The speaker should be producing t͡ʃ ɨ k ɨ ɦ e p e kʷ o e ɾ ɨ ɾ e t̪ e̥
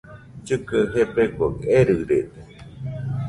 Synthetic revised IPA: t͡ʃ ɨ k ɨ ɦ e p e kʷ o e ɾ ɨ ɾ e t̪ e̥